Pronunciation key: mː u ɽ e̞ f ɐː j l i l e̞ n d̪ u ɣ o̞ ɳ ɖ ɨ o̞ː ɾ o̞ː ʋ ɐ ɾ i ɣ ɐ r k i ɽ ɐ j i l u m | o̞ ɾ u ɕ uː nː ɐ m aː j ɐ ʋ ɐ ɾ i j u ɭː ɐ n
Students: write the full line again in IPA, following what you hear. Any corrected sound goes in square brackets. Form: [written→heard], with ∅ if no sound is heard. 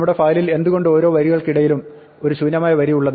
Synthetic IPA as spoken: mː u ɽ e̞ f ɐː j l i l e̞ n d̪ u ɣ o̞ ɳ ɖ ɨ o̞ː ɾ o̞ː ʋ ɐ ɾ i ɣ ɐ [r→ɭ] k i ɽ ɐ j i l u m | o̞ ɾ u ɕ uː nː ɐ m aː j ɐ ʋ ɐ ɾ i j u ɭː ɐ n